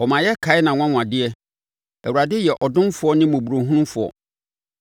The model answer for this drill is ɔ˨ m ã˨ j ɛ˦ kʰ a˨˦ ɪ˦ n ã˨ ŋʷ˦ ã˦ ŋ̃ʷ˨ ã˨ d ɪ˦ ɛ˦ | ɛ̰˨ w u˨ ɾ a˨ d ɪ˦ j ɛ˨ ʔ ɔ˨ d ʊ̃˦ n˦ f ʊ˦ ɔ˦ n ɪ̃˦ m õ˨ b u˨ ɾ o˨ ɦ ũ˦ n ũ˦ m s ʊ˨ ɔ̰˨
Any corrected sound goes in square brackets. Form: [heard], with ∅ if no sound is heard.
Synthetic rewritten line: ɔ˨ m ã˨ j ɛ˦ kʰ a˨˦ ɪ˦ n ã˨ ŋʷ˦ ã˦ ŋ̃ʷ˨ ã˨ d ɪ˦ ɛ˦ | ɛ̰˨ w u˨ ɾ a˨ d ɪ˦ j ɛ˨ ʔ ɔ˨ d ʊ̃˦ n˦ f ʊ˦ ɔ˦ n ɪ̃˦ m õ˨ b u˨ ɾ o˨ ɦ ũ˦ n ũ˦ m [f] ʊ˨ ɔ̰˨